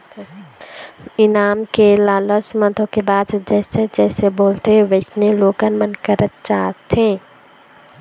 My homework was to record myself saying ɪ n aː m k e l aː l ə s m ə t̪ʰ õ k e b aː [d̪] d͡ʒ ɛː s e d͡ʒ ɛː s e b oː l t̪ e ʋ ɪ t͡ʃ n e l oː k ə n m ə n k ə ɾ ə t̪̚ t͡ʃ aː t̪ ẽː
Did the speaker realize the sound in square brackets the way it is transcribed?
yes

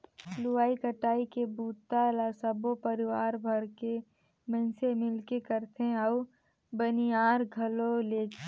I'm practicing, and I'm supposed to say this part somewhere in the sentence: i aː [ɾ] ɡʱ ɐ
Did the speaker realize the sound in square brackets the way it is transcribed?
yes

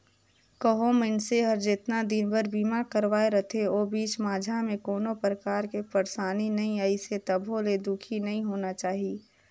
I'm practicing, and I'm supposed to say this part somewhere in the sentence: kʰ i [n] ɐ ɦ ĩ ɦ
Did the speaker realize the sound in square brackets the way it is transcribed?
yes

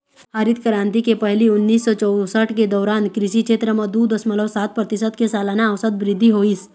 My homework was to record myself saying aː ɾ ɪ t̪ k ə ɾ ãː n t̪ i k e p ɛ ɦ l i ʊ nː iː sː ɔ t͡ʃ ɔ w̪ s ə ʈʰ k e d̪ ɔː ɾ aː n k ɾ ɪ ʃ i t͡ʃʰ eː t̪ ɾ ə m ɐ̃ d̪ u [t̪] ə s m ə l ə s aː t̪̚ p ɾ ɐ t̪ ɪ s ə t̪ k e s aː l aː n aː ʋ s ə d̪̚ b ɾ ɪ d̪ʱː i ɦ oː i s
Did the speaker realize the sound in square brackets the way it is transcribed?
no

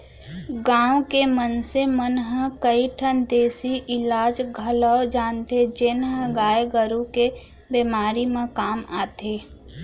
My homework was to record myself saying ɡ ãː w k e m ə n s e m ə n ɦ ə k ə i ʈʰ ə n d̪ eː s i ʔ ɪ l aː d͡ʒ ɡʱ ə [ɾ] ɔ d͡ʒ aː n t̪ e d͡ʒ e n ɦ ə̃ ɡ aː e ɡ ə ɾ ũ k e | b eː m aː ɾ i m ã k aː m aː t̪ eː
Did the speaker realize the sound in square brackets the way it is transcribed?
no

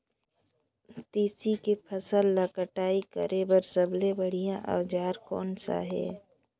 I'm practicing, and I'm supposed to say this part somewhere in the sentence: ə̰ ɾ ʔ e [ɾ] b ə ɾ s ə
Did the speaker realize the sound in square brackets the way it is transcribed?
no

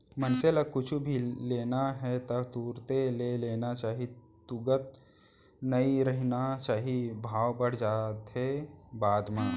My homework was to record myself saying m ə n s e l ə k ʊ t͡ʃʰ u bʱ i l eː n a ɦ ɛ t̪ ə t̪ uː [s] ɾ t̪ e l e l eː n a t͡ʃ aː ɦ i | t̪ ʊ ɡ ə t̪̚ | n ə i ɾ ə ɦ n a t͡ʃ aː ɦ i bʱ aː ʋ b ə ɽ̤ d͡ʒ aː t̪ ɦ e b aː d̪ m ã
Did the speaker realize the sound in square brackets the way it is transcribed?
no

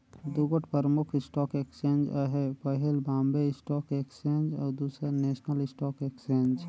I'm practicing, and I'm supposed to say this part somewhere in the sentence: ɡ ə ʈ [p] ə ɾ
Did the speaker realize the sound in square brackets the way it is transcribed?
yes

